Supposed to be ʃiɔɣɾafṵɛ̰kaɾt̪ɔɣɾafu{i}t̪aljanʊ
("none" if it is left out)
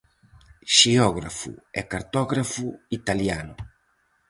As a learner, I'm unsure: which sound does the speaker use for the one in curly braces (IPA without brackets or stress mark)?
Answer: i